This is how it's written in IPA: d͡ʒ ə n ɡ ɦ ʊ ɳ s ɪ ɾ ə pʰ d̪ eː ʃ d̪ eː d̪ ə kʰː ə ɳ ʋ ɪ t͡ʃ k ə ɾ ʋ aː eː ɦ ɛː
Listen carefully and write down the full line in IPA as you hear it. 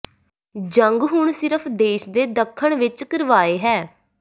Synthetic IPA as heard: d͡ʒ ə ŋ ɡ ɦ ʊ ɳ s ɪ ɾ ə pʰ d̪ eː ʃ d̪ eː d̪ ə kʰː ə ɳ ʋ ɪ t͡ʃ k ə ɾ ʋ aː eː ɦ ɛː